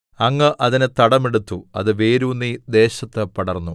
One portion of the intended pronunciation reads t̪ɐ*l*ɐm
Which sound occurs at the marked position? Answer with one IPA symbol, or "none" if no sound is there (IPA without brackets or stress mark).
ɽ